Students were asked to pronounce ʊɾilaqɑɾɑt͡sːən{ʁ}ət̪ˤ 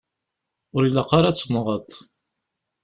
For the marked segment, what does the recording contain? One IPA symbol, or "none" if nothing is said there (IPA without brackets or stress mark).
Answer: ʁ